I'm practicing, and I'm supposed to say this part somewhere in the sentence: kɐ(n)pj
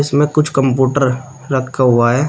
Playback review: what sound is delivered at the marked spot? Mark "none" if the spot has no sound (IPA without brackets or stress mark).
m